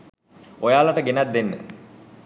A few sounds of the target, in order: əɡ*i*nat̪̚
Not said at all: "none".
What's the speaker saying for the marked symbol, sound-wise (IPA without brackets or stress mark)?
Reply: e